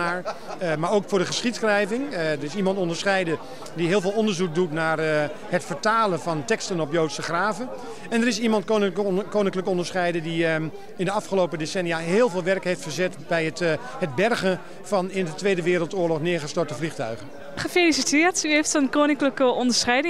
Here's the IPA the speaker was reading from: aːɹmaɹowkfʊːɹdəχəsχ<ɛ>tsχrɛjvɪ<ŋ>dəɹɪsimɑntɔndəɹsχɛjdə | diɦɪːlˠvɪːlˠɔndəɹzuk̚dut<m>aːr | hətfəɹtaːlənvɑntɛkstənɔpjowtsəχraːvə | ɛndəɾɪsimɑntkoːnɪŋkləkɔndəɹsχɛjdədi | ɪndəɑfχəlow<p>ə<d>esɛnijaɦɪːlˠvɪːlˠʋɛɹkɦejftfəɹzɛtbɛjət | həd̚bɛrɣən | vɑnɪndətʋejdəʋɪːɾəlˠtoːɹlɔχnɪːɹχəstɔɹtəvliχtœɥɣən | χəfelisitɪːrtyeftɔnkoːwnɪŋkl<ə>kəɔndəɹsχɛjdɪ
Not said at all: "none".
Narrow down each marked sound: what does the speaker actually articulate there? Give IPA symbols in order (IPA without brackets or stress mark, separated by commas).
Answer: i, ŋ, n, p, d, ə